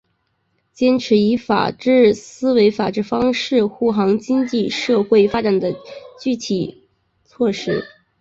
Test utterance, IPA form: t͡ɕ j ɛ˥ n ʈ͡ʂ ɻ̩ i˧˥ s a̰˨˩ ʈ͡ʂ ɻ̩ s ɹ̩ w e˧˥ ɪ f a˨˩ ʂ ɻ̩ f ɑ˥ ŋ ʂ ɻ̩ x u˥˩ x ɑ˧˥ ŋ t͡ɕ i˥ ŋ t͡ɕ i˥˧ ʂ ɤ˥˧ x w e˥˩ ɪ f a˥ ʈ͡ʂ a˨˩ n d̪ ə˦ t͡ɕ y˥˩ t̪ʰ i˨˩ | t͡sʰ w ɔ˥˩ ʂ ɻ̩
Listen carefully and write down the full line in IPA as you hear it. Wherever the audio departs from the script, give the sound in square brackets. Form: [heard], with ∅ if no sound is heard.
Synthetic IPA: t͡ɕ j ɛ˥ n [ʈ͡ʂʰ] ɻ̩ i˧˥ [f] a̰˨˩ ʈ͡ʂ ɻ̩ s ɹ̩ w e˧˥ ɪ f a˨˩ [ʈ͡ʂ] ɻ̩ f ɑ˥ ŋ ʂ ɻ̩ x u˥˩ x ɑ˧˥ ŋ t͡ɕ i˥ ŋ t͡ɕ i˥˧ ʂ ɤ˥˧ x w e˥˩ ɪ f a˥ ʈ͡ʂ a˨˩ n d̪ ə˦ t͡ɕ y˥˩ t̪ʰ i˨˩ | t͡sʰ w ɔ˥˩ ʂ ɻ̩